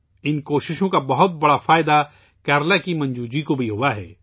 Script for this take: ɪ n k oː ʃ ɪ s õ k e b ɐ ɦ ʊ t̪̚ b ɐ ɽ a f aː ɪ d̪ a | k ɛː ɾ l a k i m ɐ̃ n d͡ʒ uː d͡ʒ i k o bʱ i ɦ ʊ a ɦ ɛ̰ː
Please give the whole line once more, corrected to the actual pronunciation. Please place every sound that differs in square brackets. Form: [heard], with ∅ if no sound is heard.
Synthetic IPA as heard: ɪ n k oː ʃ ɪ [ʃ] õ k [a] b ɐ ɦ ʊ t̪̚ b ɐ ɽ a f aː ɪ d̪ a | k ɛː ɾ l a k i m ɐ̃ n d͡ʒ uː d͡ʒ i k o bʱ i ɦ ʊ a ɦ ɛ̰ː